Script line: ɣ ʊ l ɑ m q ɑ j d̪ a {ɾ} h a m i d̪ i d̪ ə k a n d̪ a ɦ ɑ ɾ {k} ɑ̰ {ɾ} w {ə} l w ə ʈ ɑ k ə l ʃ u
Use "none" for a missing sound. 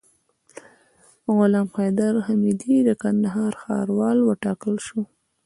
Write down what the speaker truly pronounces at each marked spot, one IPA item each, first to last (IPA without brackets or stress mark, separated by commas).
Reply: ɾ, x, ɾ, ɑ